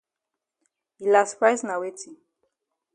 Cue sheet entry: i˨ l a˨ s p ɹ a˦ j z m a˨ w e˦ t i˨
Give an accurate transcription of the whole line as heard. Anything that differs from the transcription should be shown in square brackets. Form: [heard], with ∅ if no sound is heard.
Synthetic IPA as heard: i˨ l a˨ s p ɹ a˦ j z [n] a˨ w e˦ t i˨